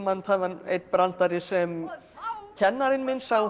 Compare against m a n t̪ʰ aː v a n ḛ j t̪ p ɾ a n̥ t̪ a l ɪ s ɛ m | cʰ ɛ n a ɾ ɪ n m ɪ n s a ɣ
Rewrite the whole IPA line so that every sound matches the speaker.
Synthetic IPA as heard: m a n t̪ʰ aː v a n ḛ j t̪ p ɾ a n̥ t̪ a ɾ ɪ s ɛ m | cʰ ɛ nː a ɾ ɪ n m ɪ n s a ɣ